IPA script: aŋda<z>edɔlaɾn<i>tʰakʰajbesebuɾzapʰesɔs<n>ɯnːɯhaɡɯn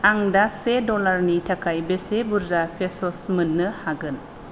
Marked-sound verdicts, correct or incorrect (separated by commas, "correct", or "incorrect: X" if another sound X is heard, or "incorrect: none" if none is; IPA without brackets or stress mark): incorrect: s, correct, incorrect: m